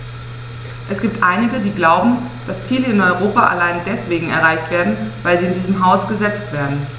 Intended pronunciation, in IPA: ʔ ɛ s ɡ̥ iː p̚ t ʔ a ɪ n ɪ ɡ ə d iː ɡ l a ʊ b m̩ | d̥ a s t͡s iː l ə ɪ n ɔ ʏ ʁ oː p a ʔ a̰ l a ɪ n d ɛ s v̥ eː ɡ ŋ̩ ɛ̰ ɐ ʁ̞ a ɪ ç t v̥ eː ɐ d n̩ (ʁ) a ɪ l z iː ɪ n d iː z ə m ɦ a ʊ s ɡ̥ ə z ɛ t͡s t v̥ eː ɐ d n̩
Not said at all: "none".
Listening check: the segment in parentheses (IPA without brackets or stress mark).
v